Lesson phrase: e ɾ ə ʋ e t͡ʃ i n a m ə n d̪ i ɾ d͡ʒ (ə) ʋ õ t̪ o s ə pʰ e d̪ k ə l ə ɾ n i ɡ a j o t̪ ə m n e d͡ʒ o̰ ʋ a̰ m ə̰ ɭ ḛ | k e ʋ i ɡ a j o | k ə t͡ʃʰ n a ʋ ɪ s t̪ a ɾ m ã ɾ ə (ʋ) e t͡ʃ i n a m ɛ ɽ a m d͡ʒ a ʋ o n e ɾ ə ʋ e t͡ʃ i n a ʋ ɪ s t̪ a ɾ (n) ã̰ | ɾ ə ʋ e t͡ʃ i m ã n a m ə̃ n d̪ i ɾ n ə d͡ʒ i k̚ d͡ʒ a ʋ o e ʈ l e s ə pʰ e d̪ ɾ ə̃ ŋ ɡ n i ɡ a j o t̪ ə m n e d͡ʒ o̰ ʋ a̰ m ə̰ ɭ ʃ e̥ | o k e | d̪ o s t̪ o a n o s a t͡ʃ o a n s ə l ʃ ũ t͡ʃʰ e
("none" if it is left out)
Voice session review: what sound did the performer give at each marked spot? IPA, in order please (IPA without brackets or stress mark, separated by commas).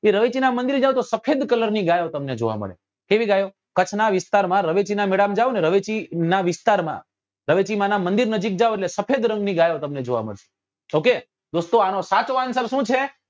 a, ʋ, m